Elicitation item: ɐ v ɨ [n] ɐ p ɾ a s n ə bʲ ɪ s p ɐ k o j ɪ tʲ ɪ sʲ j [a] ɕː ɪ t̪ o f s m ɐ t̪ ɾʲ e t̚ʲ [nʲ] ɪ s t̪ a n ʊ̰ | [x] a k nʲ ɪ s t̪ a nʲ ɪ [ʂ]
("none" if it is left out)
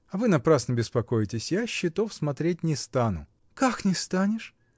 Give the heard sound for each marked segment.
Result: n, a, nʲ, k, ʂ

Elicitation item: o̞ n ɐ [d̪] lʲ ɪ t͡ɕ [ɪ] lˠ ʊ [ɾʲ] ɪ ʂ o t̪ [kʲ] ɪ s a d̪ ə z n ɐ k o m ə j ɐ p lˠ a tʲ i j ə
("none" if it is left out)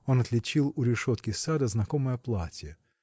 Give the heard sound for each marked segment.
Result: t̪, i, ɾʲ, kʲ

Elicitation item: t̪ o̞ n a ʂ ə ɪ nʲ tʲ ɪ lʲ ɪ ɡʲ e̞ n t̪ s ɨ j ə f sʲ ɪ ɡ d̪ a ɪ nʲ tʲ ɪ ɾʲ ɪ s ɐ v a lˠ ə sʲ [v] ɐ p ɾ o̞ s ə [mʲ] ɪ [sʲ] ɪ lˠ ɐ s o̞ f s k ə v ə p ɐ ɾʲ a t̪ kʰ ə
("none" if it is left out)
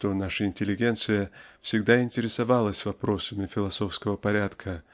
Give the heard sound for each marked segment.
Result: v, mʲ, fʲ

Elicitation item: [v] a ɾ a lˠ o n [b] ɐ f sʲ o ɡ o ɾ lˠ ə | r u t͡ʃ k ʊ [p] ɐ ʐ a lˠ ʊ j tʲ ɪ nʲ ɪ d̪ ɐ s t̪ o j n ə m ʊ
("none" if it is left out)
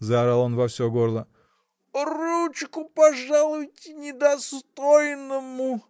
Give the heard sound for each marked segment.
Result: z, v, p

